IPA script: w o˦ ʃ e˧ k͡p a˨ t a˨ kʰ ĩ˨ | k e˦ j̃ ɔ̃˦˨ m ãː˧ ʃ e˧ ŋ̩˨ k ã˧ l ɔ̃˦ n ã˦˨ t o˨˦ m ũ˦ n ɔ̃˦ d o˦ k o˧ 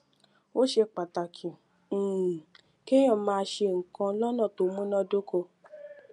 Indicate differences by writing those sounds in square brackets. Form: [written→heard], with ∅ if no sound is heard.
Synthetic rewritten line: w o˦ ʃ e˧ k͡p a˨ t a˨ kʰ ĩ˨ | k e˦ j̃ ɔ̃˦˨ m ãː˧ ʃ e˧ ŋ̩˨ k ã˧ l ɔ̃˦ n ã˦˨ t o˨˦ m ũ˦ n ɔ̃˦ d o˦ k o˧